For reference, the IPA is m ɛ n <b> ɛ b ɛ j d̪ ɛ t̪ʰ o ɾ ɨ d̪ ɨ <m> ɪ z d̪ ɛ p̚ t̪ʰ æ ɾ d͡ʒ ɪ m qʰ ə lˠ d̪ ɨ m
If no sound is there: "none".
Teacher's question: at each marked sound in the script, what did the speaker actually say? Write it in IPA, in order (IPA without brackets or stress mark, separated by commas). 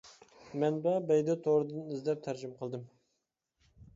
b, n